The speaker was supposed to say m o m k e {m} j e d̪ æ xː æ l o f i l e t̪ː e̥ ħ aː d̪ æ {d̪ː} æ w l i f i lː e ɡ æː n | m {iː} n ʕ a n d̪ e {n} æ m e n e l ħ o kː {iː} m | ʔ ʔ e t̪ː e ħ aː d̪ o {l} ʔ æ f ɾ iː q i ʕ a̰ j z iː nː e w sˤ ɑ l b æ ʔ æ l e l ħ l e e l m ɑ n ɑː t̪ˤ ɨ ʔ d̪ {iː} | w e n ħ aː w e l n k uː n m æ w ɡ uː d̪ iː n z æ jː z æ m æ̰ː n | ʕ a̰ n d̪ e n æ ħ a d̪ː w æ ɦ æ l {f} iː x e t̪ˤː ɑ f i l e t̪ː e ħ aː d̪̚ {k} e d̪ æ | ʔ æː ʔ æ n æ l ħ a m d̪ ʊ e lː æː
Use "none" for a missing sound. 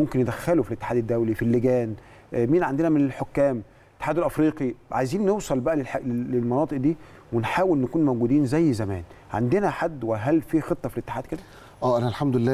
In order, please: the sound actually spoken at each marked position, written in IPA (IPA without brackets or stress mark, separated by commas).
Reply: n, d̪ː, iː, n, æː, l, iː, f, k